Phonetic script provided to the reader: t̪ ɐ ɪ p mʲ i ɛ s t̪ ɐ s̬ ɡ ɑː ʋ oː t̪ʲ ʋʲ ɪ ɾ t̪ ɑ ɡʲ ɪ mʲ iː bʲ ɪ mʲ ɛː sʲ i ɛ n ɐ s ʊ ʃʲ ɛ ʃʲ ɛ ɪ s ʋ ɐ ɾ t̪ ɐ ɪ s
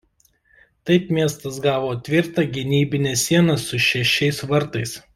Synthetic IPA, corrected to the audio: t̪ ɐ ɪ p mʲ i ɛ s t̪ ɐ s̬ ɡ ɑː ʋ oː t̪ʲ ʋʲ ɪ ɾ t̪ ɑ ɡʲ ɪ nʲ iː bʲ ɪ nʲ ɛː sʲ i ɛ n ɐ s ʊ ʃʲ ɛ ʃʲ ɛ ɪ s ʋ ɐ ɾ t̪ ɐ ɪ s